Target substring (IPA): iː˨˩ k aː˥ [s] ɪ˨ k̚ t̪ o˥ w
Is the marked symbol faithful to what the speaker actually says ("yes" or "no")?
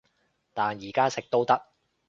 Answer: yes